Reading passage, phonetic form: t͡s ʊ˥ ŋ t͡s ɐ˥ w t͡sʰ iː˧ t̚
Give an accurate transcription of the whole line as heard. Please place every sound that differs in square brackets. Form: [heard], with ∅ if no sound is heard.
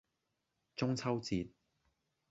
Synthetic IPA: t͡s ʊ˥ ŋ [t͡sʰ] ɐ˥ w [t͡s] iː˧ t̚